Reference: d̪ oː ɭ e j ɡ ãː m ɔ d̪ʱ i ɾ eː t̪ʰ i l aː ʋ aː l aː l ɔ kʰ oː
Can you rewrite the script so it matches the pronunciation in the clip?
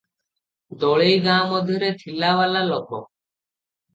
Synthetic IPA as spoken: d̪ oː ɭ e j ɡ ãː m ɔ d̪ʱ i ɾ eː t̪ʰ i l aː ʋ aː l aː l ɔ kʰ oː